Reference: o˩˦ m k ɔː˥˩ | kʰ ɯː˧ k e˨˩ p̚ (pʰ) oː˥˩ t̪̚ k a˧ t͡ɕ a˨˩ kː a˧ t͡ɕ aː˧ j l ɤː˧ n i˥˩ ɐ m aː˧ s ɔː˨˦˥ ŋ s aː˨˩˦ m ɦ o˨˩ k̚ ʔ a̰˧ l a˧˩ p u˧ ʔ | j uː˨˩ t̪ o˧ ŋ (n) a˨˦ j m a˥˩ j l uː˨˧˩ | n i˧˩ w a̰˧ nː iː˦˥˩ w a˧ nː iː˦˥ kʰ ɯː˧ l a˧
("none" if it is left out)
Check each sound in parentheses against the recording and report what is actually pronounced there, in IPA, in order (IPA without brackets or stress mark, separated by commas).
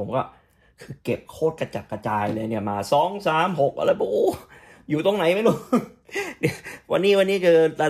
kʰ, n